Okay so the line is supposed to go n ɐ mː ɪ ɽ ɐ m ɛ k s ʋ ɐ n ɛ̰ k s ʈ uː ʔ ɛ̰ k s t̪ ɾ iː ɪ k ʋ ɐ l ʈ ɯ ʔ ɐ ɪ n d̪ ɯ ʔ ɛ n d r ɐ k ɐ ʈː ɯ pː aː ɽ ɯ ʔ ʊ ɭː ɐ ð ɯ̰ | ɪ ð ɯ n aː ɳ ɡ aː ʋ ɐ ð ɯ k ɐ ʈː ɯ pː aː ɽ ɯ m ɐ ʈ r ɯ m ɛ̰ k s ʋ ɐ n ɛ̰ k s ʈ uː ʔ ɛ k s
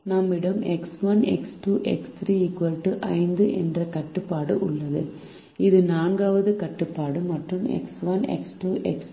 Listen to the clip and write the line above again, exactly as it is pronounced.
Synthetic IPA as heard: n ɐ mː ɪ ɽ ɐ m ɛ k s ʋ ɐ n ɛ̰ k s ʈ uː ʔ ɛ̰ k s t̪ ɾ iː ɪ k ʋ ɐ l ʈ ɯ ʔ ɐ ɪ n d̪ ɯ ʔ ɛ n d r ɐ k ɐ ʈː ɯ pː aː ɽ ɯ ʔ ʊ ɭː ɐ ð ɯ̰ | ɪ ð ɯ n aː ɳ ɡ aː ʋ ɐ ð ɯ k ɐ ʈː ɯ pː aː ɽ ɯ m ɐ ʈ r ɯ m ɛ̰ k s ʋ ɐ n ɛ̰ k s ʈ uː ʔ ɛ k s